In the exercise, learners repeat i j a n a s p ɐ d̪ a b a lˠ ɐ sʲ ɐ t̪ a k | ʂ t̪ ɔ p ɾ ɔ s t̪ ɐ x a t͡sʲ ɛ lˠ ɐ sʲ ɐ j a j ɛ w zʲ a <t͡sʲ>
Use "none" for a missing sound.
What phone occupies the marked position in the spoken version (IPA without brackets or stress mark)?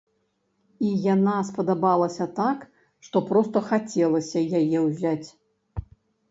t͡sʲ